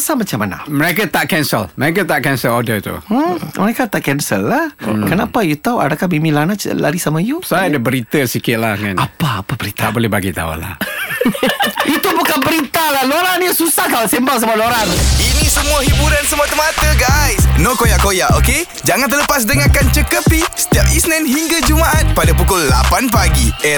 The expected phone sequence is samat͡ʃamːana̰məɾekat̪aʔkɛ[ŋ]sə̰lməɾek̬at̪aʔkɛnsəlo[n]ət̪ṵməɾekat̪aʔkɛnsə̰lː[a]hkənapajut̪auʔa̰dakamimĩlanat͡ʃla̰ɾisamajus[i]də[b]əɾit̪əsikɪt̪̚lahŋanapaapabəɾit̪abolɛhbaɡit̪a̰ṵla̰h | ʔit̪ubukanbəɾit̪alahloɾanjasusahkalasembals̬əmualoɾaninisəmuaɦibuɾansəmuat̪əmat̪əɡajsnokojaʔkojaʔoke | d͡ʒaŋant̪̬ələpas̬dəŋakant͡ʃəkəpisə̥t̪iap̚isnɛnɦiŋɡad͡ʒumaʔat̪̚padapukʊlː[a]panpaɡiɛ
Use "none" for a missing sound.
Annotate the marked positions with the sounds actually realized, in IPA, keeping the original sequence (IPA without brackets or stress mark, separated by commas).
n, d, a, a, b, a